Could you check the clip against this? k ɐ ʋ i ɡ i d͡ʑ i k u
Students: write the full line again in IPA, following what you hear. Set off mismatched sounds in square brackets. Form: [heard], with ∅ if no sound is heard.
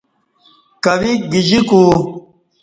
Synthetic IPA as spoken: k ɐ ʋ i ɡ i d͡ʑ i k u

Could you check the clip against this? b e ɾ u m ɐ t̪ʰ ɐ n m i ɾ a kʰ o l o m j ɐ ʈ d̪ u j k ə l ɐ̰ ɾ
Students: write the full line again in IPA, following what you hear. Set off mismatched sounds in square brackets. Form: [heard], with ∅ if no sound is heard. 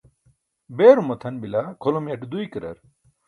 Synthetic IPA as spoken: b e ɾ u m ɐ t̪ʰ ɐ n [b] i [l] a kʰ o l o m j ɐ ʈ d̪ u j k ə [ɾ] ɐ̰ ɾ

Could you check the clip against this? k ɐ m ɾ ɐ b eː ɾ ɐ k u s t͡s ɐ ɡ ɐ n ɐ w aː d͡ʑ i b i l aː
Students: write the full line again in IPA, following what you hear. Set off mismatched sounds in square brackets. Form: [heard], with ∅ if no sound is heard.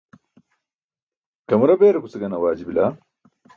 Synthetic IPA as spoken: k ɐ m ɾ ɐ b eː ɾ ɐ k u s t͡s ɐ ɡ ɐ n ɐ w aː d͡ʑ i b i l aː

